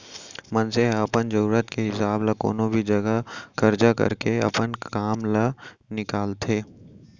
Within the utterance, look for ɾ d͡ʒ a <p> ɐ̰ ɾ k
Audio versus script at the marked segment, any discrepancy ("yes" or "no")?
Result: yes